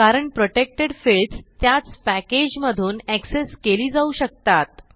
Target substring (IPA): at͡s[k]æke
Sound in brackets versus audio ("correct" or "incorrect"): incorrect